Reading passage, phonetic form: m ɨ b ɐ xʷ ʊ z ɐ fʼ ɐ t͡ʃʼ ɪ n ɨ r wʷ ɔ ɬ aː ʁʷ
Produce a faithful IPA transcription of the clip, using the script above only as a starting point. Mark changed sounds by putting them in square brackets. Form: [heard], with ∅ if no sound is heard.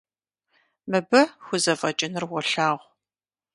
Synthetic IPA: m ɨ b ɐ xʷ ʊ z ɐ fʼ ɐ t͡ʃʼ ɪ n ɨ r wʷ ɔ ɬ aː ʁʷ

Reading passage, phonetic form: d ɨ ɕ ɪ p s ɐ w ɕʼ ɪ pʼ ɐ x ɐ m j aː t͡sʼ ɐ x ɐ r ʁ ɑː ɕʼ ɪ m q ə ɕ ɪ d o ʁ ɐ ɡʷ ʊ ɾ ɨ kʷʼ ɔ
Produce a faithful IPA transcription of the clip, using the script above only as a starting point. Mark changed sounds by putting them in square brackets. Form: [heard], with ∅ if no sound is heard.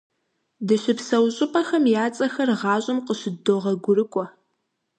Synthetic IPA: d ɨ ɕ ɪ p s ɐ w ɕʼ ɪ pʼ ɐ x ɐ m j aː t͡sʼ ɐ x ɐ r ʁ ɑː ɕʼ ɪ m q ə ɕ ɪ d o ʁ ɐ ɡʷ ʊ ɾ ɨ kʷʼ ɔ

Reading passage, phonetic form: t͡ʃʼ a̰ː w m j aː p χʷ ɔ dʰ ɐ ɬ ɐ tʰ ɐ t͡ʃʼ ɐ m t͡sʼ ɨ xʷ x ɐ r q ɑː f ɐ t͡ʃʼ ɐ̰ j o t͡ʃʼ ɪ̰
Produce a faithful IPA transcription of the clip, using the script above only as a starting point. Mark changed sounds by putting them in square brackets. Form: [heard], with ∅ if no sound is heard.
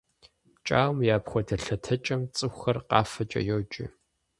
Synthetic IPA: t͡ʃʼ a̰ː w m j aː p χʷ ɔ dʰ ɐ ɬ ɐ tʰ ɐ t͡ʃʼ ɐ m t͡sʼ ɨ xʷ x ɐ r q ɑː f ɐ t͡ʃʼ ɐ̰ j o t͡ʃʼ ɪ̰

